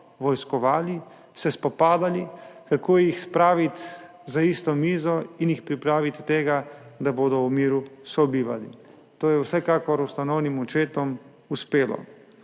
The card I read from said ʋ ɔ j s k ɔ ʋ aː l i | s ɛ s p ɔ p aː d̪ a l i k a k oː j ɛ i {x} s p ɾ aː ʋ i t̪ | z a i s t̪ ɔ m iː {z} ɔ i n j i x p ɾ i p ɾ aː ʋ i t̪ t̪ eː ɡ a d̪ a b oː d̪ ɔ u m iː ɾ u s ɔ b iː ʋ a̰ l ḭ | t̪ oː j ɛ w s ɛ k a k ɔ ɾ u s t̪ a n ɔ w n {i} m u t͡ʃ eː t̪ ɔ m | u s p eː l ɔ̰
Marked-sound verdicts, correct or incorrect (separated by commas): correct, correct, correct